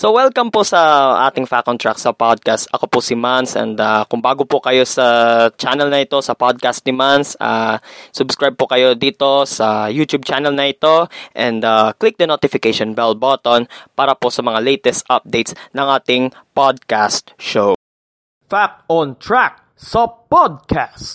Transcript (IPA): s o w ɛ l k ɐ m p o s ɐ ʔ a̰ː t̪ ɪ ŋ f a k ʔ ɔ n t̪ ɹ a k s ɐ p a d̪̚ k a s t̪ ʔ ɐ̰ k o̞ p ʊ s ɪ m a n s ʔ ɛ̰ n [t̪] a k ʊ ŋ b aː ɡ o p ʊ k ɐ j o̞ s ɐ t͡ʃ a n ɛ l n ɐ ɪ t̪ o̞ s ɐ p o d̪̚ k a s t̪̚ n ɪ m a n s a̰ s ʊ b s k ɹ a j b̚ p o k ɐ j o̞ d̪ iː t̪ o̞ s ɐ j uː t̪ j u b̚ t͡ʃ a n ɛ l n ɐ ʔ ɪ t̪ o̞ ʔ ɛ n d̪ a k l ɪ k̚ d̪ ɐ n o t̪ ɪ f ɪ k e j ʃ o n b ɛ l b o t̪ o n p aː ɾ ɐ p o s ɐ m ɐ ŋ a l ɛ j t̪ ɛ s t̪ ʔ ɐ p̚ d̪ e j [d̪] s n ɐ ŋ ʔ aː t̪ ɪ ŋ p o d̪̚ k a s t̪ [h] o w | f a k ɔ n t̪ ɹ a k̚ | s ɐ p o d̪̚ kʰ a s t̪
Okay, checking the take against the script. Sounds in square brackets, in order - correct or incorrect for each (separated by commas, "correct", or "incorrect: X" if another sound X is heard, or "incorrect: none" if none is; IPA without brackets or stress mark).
incorrect: d̪, incorrect: t̪, incorrect: ʃ